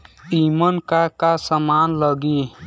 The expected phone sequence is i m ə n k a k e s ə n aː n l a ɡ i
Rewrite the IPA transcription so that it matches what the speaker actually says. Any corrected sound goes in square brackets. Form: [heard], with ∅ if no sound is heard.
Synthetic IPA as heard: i m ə n k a k [a] s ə [m] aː n l [ə] ɡ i